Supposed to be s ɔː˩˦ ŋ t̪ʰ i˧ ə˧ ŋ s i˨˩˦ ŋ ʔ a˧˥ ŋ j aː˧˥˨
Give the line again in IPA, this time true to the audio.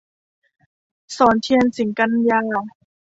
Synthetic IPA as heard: s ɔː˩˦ n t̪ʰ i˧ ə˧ n s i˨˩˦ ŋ k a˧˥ n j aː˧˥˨